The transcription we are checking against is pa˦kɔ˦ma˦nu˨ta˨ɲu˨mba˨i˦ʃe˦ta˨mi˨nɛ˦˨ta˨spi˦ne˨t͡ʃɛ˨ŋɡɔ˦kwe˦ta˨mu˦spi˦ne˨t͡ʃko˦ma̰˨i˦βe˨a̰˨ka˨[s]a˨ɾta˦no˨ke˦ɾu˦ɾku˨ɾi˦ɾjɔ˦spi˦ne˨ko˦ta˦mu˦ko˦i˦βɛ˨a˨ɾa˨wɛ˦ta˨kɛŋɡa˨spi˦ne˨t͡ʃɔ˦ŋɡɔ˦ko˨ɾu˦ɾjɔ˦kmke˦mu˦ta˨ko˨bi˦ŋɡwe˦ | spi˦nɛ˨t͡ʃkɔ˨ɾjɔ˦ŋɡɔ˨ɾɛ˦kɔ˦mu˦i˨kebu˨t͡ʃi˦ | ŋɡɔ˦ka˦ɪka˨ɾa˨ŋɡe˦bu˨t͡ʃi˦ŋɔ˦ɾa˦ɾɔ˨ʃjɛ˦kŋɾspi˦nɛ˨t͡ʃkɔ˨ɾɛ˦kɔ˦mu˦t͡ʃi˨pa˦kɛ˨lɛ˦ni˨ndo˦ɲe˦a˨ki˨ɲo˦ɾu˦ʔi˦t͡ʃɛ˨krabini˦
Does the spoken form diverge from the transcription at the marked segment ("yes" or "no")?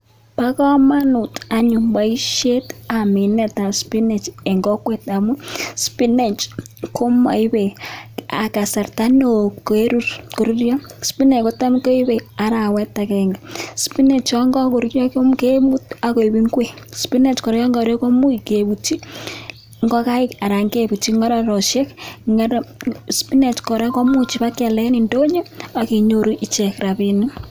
no